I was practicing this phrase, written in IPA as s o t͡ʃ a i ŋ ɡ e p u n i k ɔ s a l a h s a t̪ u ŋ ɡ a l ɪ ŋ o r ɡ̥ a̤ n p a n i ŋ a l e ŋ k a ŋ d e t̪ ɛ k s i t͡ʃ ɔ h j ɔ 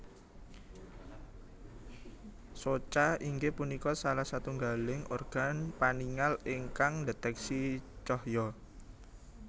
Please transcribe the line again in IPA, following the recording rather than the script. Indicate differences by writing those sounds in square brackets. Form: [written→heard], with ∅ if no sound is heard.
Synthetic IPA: s o t͡ʃ a i ŋ ɡ e p u n i k ɔ s a l a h s a t̪ u ŋ ɡ a l ɪ ŋ o r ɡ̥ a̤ n p a n i ŋ a l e ŋ k a ŋ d e t̪ ɛ k s i t͡ʃ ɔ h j ɔ